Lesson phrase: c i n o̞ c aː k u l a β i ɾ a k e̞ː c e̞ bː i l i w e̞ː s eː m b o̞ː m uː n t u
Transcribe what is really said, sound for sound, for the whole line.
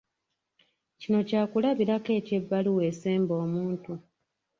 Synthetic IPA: c i n o̞ c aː k u l a β i ɾ a k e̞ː c e̞ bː a l i w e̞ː s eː m b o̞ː m uː n t u